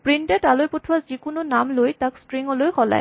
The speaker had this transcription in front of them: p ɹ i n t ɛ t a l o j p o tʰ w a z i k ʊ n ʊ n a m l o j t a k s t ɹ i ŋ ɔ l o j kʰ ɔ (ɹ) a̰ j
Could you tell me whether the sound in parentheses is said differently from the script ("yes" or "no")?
yes